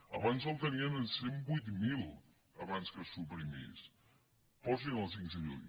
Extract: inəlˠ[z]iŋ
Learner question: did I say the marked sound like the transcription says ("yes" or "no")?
no